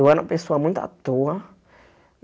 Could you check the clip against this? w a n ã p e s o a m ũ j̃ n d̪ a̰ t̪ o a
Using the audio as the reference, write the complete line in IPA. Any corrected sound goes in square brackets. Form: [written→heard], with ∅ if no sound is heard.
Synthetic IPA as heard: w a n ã p e s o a m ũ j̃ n [d̪→t̪] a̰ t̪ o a